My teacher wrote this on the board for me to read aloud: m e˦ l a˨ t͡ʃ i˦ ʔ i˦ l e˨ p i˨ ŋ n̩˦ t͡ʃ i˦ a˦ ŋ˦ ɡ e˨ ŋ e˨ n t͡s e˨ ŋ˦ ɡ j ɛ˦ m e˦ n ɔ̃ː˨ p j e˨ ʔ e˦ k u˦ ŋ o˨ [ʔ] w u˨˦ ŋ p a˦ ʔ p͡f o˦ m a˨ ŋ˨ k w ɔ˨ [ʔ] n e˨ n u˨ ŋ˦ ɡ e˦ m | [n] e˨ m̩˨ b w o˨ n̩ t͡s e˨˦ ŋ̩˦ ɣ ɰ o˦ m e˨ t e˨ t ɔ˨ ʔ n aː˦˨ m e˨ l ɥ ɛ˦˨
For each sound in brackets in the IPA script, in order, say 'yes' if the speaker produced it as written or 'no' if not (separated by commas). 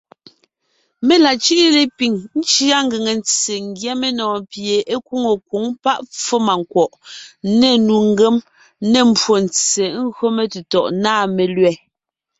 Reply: no, yes, yes